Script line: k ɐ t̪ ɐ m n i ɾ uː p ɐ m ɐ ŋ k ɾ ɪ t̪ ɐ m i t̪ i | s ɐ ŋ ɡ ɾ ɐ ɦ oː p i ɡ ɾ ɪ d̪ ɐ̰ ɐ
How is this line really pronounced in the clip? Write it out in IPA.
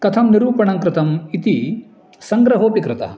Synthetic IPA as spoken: k ɐ t̪ʰ ɐ m n i ɾ uː p ɐ ɳ ɐ ŋ k ɾ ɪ t̪ ɐ m i t̪ i | s ɐ ŋ ɡ ɾ ɐ ɦ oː p i k ɾ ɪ t̪ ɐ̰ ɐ